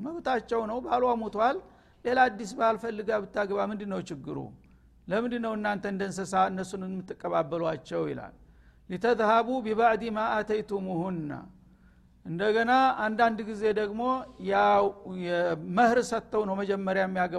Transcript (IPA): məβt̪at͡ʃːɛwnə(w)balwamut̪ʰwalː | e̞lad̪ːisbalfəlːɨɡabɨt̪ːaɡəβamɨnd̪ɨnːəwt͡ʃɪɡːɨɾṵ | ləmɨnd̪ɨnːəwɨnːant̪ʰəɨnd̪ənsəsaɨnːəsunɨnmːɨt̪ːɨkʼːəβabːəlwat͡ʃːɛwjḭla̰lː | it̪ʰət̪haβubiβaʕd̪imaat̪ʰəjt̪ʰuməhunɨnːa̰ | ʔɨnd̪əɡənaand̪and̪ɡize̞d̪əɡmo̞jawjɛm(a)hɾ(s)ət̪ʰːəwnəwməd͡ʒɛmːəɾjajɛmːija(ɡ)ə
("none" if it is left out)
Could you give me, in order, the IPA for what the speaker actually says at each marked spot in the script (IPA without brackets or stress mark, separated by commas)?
w, ə, s, ɡ